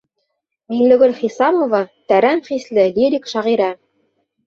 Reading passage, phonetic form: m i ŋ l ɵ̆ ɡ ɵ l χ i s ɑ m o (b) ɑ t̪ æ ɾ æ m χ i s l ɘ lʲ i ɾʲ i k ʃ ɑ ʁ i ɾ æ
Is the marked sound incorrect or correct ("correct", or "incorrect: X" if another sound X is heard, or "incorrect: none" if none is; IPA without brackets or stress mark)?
incorrect: v